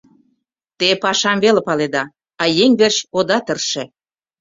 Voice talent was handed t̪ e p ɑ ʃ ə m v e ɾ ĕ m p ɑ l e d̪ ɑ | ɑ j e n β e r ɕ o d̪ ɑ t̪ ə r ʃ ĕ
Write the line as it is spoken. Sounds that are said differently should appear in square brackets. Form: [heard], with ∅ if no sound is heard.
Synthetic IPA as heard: t̪ e p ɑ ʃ [ɑ] m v e [l] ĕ [∅] p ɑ l e d̪ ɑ | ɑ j e [ŋ] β e r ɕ o d̪ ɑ t̪ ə r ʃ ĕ